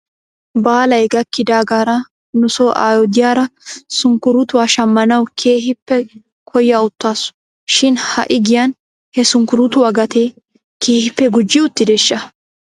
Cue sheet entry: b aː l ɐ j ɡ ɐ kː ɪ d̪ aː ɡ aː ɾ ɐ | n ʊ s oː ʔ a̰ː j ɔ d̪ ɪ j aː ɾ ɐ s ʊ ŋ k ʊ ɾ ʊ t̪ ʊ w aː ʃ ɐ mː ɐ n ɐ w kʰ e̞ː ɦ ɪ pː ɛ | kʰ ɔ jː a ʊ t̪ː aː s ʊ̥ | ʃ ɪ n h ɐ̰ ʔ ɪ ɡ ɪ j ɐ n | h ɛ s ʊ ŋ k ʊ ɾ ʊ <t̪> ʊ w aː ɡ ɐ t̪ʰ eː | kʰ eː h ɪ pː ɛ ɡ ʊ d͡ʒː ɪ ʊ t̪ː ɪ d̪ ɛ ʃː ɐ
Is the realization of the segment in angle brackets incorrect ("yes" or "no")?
no